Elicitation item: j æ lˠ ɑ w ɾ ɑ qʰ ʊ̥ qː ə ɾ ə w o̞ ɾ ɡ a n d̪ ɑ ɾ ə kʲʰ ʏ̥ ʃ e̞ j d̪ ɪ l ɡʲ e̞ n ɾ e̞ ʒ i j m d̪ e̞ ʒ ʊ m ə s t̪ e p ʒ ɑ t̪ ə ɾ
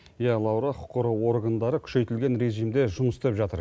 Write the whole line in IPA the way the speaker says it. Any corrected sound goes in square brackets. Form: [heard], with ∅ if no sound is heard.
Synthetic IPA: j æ lˠ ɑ w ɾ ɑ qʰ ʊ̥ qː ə ɾ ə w o̞ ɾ ɡ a n d̪ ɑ ɾ ə kʲʰ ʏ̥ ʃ e̞ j [t̪] ɪ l ɡʲ e̞ n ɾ e̞ ʒ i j m d̪ e̞ ʒ ʊ m ə s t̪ e p ʒ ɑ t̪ ə ɾ